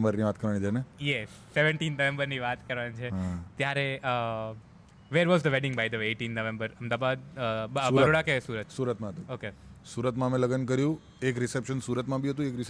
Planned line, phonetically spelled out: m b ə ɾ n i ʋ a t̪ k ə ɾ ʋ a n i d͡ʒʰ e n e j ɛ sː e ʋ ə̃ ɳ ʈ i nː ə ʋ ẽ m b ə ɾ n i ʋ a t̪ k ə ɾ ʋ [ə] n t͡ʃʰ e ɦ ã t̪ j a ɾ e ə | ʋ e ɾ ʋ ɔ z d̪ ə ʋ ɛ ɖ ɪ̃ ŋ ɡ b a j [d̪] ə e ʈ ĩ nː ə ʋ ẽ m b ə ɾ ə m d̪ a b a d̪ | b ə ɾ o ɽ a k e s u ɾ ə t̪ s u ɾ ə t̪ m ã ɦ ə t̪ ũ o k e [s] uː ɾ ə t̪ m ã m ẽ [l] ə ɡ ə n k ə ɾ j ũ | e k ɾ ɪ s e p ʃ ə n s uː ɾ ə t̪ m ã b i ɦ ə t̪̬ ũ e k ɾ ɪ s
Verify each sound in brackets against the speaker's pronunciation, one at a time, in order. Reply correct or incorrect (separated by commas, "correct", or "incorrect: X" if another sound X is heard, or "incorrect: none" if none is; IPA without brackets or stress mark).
incorrect: a, correct, correct, correct